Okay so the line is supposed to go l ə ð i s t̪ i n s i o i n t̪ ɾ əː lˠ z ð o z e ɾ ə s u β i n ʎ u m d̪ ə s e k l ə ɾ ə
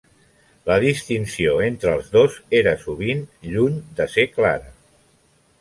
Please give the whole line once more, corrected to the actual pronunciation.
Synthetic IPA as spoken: l ə ð i s t̪ i n s i o e n t̪ ɾ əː lˠ z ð o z e ɾ ə s u β i n ʎ u ɲ d̪ ə s e k l a ɾ ə